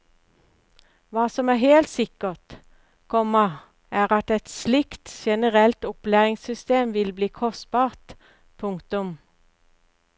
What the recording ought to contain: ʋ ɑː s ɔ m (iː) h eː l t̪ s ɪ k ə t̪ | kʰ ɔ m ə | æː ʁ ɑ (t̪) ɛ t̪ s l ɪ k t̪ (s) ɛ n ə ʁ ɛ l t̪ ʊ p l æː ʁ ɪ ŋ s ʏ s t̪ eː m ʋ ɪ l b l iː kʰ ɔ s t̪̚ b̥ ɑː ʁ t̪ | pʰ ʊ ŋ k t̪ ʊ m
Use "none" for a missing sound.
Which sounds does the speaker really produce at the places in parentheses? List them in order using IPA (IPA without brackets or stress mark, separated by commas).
æː, t̪, ʃ